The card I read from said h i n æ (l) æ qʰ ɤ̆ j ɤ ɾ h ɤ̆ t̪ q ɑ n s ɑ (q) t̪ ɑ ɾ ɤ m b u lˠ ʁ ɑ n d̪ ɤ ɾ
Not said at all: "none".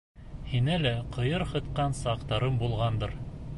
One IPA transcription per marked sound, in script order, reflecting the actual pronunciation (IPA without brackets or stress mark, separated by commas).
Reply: l, q